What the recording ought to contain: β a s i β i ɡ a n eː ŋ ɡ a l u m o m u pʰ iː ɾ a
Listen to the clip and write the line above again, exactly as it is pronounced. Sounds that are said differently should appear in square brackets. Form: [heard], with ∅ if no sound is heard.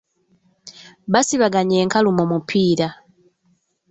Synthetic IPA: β a s i β [a] ɡ a [ɲ] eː ŋ [k] a l u m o m u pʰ iː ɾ a